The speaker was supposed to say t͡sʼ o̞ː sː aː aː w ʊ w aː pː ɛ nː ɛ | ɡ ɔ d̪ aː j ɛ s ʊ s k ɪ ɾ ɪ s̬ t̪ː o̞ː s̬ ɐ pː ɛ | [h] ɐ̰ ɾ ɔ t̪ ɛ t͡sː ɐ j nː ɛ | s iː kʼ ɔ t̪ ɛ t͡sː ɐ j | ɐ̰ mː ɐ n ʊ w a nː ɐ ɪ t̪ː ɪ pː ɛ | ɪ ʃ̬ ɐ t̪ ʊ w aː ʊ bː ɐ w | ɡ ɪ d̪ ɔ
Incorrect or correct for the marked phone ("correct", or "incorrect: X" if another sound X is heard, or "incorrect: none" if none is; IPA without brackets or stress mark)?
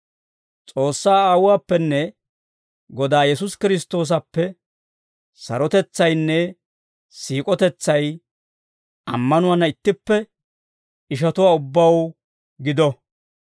incorrect: s